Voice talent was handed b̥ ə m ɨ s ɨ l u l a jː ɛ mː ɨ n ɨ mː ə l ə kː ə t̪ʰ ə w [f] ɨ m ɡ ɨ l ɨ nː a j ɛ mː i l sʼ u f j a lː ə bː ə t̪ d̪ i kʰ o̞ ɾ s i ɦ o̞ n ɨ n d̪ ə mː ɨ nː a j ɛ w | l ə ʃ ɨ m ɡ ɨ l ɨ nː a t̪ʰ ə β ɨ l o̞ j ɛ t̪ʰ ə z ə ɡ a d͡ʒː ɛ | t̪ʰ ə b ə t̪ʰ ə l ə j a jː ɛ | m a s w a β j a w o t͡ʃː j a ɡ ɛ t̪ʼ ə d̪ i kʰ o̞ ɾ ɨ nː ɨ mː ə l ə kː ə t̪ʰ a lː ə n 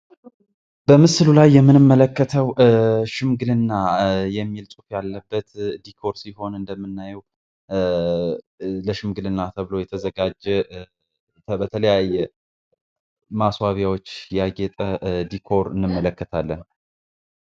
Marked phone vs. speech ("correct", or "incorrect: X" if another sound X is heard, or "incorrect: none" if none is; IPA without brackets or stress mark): incorrect: ʃ